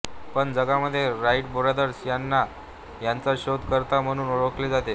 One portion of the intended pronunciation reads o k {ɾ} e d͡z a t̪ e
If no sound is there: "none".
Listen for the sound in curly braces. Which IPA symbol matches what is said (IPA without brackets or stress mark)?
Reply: l